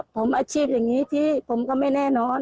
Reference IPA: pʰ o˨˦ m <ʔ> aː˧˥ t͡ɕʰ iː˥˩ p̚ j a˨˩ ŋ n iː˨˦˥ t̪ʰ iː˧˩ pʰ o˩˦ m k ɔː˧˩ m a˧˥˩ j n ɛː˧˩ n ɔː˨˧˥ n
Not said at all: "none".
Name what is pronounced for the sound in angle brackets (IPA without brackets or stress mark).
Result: ʔ